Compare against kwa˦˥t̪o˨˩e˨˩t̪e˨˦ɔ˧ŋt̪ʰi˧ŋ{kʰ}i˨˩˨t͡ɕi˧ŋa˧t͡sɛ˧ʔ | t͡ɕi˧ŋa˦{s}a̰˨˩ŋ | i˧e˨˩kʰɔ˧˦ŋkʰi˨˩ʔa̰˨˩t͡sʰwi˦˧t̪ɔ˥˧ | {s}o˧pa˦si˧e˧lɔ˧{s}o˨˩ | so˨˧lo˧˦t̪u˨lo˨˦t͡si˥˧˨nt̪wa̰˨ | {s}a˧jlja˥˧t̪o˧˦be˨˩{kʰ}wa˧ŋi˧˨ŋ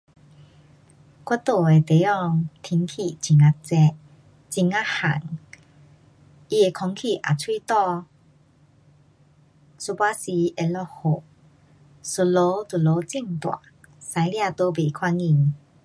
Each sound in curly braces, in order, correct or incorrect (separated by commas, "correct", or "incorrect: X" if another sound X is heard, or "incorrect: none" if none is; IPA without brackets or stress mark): correct, incorrect: h, correct, incorrect: h, correct, correct